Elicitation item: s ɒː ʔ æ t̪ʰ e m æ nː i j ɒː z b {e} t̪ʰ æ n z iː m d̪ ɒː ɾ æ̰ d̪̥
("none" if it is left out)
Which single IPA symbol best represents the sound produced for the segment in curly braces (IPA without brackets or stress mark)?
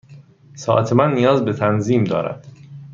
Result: e